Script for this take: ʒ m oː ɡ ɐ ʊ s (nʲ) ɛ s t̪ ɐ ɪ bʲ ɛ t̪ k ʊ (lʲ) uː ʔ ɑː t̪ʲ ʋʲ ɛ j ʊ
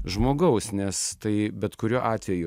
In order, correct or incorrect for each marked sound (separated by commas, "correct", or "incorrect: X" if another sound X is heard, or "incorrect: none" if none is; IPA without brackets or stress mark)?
correct, incorrect: ɾʲ